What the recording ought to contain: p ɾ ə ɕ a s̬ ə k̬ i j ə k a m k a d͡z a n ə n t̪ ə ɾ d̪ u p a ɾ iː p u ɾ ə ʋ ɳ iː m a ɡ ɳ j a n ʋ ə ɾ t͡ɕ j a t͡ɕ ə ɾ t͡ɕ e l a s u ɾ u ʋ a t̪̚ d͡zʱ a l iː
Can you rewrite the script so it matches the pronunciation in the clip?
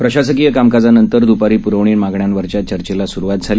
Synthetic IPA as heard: p ɾ ə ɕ a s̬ ə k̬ i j ə k a m k a d͡z a n ə n t̪ ə ɾ d̪ u p a ɾ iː p u ɾ ə ʋ ɳ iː m a ɡ ɳ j a n ʋ ə ɾ t͡ɕ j a t͡ɕ ə ɾ t͡ɕ e l a s u ɾ u ʋ a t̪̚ d͡zʱ a l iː